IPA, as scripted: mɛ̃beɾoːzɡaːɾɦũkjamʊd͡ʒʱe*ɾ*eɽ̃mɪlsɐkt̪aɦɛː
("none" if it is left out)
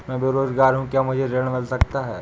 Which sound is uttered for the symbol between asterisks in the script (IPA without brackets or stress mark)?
ɾ